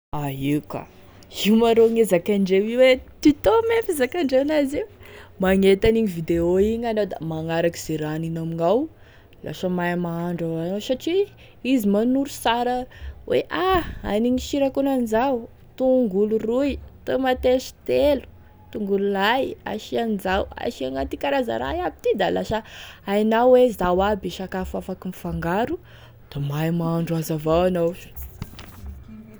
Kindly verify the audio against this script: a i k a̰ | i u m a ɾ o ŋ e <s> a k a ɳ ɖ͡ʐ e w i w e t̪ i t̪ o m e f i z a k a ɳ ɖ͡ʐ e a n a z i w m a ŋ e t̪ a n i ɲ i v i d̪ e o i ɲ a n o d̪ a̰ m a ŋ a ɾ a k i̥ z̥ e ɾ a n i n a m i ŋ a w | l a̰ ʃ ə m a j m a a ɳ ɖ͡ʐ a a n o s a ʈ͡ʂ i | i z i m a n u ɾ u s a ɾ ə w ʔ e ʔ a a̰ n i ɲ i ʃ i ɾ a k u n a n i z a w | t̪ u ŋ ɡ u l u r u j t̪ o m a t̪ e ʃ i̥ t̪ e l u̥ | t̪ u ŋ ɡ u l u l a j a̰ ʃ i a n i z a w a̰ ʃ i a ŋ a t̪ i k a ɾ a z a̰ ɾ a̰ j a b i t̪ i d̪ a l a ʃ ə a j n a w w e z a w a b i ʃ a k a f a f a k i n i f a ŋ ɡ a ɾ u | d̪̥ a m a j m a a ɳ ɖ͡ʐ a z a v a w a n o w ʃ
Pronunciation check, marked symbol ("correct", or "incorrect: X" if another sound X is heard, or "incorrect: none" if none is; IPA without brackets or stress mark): incorrect: z